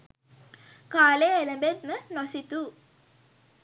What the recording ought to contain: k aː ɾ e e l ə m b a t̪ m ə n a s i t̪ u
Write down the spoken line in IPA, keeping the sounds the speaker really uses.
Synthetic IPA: k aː l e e l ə m b e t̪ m ə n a s i t̪ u